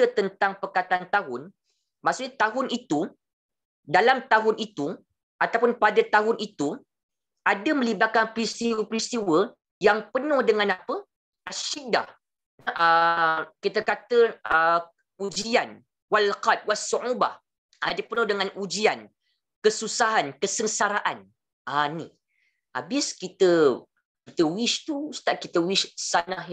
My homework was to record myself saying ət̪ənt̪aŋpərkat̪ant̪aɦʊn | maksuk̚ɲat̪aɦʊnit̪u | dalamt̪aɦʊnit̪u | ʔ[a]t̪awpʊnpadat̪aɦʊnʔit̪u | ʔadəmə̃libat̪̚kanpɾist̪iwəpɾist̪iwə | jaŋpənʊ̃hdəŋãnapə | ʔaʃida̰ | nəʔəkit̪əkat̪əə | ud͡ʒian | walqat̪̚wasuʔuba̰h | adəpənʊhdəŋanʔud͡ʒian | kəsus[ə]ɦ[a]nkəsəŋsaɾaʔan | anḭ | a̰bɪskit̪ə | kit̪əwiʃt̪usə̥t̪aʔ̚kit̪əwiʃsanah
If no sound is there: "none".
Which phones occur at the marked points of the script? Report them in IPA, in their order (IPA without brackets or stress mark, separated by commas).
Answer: a, a, a